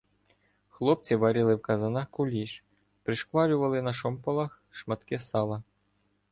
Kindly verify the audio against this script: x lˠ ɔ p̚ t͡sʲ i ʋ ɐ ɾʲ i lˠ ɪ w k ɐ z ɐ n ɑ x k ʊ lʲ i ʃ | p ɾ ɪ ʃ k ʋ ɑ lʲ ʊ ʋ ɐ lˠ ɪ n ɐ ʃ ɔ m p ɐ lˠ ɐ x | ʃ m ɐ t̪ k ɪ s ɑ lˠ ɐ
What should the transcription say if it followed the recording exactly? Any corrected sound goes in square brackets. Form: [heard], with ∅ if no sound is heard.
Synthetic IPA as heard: x lˠ ɔ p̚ t͡sʲ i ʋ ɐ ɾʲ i lˠ ɪ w k ɐ z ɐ n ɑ x k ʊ lʲ i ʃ | p ɾ ɪ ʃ k ʋ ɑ lʲ ʊ ʋ ɐ lˠ ɪ n ɐ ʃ ɔ m p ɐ lˠ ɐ x | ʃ m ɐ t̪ k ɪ s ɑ lˠ ɐ